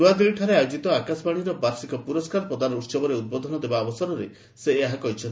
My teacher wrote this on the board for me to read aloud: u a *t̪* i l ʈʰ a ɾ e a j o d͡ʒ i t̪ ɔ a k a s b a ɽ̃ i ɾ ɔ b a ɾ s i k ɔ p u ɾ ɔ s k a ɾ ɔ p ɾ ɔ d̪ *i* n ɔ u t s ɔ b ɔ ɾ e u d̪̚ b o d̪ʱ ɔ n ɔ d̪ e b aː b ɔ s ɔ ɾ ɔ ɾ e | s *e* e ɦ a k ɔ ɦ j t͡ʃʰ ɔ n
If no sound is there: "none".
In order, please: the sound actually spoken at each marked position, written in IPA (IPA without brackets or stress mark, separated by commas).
d̪, a, e